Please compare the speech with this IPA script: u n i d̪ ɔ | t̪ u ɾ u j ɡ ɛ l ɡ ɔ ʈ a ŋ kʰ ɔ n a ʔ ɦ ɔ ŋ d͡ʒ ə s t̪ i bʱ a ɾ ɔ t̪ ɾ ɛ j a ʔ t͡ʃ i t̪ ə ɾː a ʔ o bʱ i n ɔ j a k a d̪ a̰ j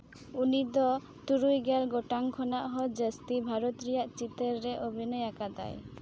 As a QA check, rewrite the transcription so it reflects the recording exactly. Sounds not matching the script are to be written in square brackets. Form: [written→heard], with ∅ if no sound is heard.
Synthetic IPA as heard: u n i d̪ ɔ | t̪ u ɾ u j ɡ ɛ l ɡ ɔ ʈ a ŋ kʰ ɔ n a ʔ ɦ ɔ [ŋ→∅] d͡ʒ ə s t̪ i bʱ a ɾ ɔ t̪ ɾ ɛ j a ʔ t͡ʃ i t̪ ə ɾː [a→ɛ] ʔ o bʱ i n ɔ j a k a d̪ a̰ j